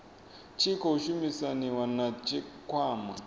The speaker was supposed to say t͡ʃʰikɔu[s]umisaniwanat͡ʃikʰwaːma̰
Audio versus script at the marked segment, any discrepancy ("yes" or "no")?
yes